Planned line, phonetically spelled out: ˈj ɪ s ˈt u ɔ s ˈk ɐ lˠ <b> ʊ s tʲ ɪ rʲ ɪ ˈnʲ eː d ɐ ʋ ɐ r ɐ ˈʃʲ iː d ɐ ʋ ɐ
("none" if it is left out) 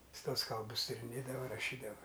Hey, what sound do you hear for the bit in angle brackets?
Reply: b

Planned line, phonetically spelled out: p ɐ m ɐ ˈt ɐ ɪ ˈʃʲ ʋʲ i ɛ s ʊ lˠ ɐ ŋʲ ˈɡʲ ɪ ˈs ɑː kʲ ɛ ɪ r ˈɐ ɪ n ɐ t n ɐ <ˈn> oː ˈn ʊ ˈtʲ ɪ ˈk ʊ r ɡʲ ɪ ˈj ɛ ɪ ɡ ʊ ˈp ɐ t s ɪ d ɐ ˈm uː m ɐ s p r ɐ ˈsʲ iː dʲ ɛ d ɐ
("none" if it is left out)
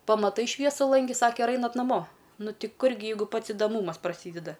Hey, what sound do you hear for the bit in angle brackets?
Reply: m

